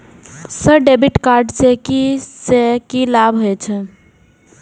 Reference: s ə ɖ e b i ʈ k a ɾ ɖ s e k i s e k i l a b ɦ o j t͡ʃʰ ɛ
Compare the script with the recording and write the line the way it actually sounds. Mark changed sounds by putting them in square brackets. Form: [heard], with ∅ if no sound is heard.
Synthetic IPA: s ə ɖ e b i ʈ k a ɾ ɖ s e k i s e k i l a b ɦ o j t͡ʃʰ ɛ